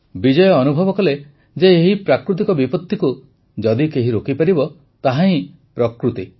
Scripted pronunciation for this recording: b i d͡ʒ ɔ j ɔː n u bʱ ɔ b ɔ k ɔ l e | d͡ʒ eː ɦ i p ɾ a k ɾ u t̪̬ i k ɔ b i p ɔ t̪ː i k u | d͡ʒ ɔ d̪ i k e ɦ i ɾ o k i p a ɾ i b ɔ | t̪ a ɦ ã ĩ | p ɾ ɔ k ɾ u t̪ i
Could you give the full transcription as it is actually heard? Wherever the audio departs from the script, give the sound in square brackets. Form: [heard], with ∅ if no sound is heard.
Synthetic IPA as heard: b i d͡ʒ ɔ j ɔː n u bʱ ɔ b ɔ k ɔ l e | d͡ʒ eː ɦ i p ɾ a k ɾ u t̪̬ i k ɔ b i p ɔ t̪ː i k u | d͡ʒ ɔ d̪ i k e ɦ i ɾ o k i p a ɾ i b ɔ | t̪ a ɦ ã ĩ | p ɾ ɔ k ɾ u t̪ i

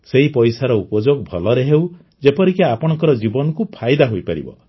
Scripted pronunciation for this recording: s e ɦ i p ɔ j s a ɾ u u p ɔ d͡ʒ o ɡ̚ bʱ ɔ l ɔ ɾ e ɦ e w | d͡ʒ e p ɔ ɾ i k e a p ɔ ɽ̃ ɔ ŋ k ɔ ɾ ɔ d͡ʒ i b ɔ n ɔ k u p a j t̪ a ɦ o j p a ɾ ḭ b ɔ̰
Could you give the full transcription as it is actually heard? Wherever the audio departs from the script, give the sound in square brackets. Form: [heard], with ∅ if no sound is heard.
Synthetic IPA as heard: s e ɦ i p ɔ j s a ɾ [ɔ] u p ɔ d͡ʒ o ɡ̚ bʱ ɔ l ɔ ɾ e ɦ e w | d͡ʒ e p ɔ ɾ i k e a p ɔ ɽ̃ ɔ ŋ k ɔ ɾ ɔ d͡ʒ i b ɔ n ɔ k u [pʰ] a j [d̪] a ɦ o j p a ɾ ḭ b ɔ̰

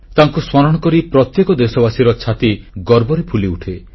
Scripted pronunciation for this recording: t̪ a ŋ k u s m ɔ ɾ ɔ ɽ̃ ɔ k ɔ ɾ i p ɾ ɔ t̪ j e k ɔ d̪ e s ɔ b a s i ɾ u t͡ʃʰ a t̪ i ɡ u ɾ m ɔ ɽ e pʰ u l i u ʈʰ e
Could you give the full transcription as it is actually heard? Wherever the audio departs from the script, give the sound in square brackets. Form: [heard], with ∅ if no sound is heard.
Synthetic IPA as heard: t̪ a ŋ k u s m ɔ ɾ ɔ ɽ̃ ɔ k ɔ ɾ i p ɾ ɔ t̪ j e k ɔ d̪ e s ɔ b a s i ɾ [ɔ] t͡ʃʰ a t̪ i ɡ [ɔ] ɾ [b] ɔ [ɾ] e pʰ u l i u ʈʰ e

